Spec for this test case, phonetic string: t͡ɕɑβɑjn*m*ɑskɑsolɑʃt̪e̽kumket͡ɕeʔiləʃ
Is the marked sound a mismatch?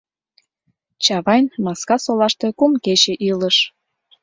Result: no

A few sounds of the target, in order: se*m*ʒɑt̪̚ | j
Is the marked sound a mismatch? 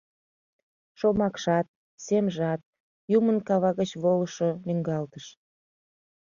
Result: no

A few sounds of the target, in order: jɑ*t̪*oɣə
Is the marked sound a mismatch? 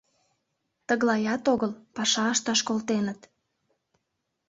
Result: no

